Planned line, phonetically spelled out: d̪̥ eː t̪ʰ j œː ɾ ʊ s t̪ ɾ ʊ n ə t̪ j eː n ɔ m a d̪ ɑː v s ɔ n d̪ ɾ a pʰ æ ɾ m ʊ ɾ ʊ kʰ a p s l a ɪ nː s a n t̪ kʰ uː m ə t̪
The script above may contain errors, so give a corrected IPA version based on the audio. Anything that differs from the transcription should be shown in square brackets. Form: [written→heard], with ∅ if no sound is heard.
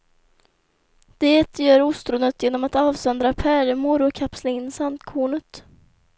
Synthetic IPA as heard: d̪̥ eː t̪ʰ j œː ɾ ʊ s t̪ ɾ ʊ n ə t̪ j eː n ɔ m a [d̪→t̪] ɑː v s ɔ n d̪ ɾ a pʰ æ ɾ m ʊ ɾ ʊ kʰ a p s l a ɪ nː s a n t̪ kʰ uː [m→ɳ] ə t̪